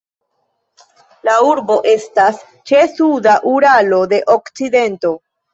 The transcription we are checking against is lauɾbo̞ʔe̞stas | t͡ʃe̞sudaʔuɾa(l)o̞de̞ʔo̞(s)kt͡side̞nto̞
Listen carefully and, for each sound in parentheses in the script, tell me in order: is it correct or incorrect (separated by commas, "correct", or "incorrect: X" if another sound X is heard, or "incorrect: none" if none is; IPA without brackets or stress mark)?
correct, incorrect: none